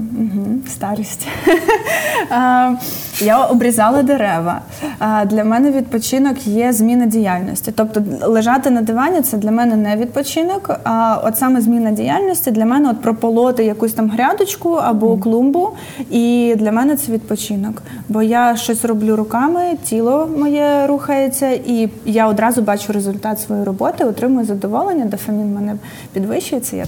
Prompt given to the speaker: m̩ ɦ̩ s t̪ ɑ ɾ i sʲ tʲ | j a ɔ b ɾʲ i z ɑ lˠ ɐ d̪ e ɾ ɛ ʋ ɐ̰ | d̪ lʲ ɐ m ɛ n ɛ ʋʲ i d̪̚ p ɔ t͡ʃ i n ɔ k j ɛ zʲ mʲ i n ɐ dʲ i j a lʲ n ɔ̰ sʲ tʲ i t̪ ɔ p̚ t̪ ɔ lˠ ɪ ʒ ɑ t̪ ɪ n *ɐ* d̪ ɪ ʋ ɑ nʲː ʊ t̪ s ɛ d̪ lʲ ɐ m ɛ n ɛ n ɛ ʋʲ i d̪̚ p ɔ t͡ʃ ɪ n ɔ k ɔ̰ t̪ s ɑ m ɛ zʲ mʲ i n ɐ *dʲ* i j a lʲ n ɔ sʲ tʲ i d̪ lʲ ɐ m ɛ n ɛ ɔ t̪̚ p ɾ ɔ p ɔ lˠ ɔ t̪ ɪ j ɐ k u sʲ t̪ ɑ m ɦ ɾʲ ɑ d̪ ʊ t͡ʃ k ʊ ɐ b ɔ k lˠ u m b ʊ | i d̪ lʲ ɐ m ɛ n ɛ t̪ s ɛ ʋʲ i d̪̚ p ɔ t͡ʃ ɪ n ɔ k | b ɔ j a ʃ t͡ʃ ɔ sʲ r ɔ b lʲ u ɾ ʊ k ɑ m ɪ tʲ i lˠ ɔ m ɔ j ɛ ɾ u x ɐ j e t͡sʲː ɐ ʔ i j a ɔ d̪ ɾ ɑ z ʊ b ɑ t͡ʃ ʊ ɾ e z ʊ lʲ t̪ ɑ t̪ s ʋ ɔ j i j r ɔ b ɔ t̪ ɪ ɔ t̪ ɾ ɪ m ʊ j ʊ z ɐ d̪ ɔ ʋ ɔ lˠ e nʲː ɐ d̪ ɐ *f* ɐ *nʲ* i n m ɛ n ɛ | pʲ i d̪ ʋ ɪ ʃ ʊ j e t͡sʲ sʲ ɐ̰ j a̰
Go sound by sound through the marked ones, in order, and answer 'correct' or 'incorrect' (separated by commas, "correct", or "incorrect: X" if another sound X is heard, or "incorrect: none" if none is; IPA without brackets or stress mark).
correct, correct, correct, incorrect: mʲ